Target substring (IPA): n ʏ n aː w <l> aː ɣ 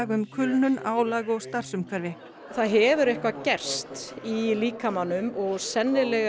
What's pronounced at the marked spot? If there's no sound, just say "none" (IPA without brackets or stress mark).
l